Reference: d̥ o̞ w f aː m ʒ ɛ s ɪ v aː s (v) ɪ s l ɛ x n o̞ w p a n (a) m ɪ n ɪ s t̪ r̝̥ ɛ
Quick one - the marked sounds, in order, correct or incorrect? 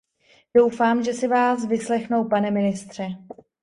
correct, incorrect: ɛ

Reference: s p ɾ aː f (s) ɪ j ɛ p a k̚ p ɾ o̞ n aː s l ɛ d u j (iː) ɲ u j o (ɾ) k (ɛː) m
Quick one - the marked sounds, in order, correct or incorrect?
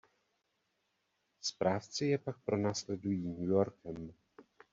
incorrect: t͡s, correct, correct, incorrect: ɛ

